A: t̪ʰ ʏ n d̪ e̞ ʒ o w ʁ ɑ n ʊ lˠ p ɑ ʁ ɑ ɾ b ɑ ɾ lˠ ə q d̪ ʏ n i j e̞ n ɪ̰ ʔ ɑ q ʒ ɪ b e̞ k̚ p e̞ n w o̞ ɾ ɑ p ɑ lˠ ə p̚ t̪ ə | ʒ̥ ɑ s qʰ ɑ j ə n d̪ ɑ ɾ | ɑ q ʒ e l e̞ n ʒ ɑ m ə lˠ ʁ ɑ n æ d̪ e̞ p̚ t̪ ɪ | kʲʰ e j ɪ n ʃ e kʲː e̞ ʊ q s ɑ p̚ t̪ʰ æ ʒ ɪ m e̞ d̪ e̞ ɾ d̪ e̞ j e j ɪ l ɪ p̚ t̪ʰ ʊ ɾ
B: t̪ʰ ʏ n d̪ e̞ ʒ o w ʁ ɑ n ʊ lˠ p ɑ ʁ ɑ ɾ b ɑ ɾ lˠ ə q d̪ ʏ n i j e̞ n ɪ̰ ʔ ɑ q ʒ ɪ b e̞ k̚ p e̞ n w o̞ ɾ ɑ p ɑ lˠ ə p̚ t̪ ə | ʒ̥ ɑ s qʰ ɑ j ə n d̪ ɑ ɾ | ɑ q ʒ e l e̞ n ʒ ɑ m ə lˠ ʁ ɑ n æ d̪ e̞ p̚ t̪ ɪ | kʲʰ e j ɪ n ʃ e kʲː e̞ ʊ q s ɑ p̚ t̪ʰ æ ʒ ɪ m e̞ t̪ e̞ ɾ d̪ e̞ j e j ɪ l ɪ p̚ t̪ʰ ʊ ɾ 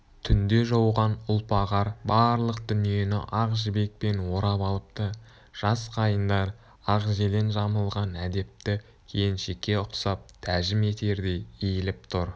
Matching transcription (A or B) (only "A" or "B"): B